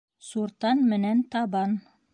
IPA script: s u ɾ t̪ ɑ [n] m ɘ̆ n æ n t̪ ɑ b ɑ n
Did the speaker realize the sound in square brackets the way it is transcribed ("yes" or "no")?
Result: yes